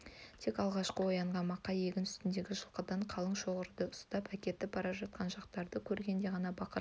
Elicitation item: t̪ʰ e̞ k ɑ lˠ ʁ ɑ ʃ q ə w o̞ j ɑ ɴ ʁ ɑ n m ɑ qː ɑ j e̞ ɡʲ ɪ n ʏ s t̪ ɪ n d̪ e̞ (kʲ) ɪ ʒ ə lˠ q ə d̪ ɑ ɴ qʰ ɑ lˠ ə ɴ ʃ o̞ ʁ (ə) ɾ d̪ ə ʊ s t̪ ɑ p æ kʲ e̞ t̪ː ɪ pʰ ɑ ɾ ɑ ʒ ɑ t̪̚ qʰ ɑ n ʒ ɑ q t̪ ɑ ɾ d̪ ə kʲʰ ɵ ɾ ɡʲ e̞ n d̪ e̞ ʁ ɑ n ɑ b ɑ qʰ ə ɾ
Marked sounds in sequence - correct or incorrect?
incorrect: ɡʲ, correct

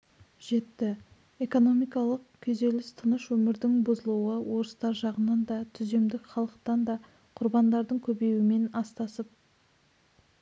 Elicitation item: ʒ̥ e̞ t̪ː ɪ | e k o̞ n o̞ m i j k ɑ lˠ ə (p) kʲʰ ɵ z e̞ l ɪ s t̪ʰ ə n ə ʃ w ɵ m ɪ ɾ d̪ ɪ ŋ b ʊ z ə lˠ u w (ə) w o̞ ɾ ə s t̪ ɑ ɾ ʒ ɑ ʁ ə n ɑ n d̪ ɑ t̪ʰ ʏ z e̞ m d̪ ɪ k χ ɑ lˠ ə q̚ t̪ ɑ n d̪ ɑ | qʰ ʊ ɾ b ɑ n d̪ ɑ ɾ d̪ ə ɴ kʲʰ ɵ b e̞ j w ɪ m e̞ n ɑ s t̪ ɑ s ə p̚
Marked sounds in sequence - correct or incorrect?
incorrect: q, correct

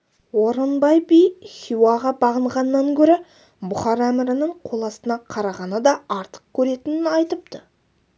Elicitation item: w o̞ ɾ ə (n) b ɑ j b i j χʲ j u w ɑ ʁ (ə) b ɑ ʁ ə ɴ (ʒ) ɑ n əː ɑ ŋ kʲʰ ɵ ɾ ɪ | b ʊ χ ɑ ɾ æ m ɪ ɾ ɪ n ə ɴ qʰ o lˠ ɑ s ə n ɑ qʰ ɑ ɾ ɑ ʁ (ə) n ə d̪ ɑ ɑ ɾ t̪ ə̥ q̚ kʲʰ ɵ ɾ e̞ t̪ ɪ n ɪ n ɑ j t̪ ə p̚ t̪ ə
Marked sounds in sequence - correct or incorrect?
correct, incorrect: ɑ, incorrect: ʁ, incorrect: ɑ

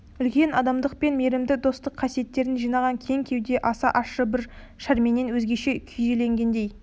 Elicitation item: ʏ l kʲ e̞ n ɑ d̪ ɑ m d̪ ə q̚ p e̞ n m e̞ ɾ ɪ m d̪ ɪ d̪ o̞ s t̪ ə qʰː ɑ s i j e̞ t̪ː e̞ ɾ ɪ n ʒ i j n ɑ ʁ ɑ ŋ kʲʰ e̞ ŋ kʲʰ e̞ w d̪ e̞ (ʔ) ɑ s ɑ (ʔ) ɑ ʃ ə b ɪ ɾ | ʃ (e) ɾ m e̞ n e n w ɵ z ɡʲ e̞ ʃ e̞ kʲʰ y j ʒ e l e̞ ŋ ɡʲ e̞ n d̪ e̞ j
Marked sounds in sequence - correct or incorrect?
correct, correct, incorrect: æ

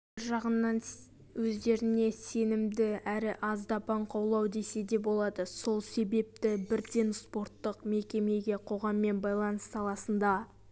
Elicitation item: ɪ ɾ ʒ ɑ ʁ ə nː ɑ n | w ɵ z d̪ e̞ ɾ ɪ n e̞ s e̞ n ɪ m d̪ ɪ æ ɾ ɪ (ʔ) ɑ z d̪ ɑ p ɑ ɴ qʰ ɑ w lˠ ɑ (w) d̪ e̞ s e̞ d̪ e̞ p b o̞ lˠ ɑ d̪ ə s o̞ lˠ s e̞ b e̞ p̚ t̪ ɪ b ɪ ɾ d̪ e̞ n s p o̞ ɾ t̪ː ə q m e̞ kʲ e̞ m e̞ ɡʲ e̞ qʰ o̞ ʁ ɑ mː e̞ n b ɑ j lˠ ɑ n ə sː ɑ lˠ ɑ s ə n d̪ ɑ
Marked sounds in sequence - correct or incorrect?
correct, correct

